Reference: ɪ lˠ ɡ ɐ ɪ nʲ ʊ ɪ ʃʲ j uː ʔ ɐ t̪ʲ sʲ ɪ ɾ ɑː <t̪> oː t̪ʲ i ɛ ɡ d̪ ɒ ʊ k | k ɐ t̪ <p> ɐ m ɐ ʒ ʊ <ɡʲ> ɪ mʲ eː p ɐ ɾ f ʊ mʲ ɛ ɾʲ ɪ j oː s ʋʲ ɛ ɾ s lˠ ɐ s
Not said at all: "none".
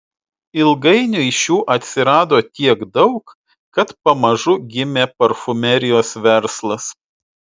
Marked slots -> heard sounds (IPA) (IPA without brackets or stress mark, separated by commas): d̪, p, ɡʲ